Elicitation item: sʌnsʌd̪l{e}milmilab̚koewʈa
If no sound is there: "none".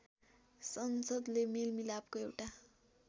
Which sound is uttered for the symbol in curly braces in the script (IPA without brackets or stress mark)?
e